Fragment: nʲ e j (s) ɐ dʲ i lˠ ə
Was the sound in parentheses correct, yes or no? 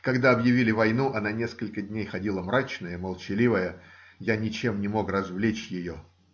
no